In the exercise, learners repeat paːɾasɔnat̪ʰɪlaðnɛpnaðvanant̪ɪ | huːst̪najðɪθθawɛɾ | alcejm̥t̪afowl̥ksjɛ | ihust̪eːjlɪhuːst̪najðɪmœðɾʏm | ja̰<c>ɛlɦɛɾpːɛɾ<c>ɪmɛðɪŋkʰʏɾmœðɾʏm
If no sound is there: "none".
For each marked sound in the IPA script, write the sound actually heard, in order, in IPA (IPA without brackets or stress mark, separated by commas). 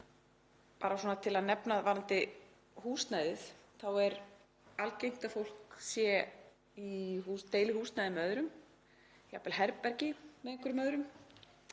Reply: p, c